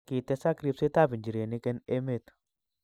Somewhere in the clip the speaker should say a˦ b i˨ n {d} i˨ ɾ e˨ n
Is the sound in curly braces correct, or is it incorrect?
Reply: incorrect